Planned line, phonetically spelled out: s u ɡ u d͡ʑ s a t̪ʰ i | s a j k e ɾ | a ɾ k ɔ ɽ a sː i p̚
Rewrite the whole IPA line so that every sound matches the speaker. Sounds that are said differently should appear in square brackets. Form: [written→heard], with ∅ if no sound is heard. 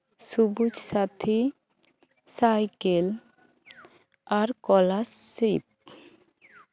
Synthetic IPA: s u [ɡ→b] u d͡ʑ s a t̪ʰ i | s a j k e [ɾ→l] | a ɾ k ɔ [ɽ→l] a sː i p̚

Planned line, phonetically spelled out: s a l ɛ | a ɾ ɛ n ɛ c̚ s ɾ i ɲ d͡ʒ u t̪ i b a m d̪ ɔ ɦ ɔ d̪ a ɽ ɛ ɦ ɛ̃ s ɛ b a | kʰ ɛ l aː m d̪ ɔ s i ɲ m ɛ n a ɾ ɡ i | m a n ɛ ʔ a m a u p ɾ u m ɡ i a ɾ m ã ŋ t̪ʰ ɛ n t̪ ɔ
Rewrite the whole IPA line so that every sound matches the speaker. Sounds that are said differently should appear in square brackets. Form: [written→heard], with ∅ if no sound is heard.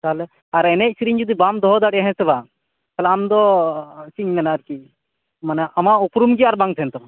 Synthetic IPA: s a l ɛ | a ɾ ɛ n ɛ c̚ s ɾ i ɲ d͡ʒ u [t̪→d̪] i b a m d̪ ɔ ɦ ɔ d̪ a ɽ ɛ ɦ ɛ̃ s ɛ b a | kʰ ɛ l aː m d̪ ɔ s i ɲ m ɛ n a ɾ [ɡ→k] i | m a n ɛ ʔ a m a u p ɾ u m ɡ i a ɾ [m→b] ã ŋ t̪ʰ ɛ n t̪ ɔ

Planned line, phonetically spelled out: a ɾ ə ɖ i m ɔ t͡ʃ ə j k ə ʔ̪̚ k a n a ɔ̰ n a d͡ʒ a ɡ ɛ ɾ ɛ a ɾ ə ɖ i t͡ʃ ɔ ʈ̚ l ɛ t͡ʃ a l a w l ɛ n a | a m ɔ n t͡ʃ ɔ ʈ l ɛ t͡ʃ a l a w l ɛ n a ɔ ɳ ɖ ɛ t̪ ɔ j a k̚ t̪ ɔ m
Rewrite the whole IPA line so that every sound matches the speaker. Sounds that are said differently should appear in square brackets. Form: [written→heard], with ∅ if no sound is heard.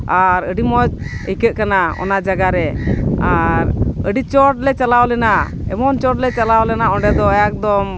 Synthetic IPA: a ɾ ə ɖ i m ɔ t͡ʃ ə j k ə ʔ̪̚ k a n a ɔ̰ n a d͡ʒ a ɡ [ɛ→a] ɾ ɛ a ɾ ə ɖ i t͡ʃ ɔ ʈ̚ l ɛ t͡ʃ a l a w l ɛ n a | [a→ɛ] m ɔ n t͡ʃ ɔ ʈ l ɛ t͡ʃ a l a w l ɛ n a ɔ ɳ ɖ ɛ [t̪→d̪] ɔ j a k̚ [t̪→d̪] ɔ m

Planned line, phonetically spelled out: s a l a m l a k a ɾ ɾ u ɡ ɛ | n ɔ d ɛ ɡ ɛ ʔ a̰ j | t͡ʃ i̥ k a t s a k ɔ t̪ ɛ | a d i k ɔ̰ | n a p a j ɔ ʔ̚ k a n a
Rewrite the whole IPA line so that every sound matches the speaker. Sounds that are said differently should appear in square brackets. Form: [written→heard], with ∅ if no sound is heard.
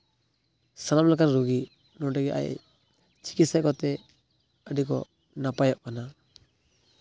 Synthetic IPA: s a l a m l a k a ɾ ɾ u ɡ [ɛ→i] | n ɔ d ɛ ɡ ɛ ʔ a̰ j | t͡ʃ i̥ k [a→i] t s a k ɔ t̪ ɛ | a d i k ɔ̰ | n a p a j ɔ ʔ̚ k a n a

